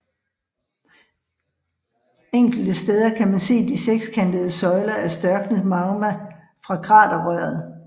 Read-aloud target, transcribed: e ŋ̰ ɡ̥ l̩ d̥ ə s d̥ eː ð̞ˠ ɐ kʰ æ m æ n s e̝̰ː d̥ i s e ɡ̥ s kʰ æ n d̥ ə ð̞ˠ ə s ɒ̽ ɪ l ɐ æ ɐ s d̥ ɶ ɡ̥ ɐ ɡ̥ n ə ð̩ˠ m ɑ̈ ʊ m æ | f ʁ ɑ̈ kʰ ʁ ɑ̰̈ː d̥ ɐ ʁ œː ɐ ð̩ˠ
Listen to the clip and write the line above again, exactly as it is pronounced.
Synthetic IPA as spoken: e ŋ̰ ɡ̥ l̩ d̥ ə s d̥ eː ð̞ˠ ɐ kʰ æ m æ n s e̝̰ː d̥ i s e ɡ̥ s kʰ æ n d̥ ə ð̞ˠ ə s ɒ̽ ɪ l ɐ æ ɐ s d̥ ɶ ɐ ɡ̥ n ə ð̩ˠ m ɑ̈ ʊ m æ | f ʁ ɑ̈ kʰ ʁ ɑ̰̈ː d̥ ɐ ʁ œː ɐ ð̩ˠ